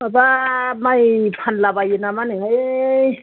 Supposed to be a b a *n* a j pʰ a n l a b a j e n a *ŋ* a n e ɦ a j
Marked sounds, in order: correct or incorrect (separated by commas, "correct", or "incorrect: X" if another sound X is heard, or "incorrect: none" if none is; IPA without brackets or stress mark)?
incorrect: m, incorrect: m